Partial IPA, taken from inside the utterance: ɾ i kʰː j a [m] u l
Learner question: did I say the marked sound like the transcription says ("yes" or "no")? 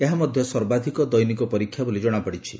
no